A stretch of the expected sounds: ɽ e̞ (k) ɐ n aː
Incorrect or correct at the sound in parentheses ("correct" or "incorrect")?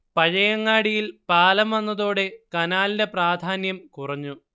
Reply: correct